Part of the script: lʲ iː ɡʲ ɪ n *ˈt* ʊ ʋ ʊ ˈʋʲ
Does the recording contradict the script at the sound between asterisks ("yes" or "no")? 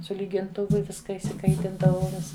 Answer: no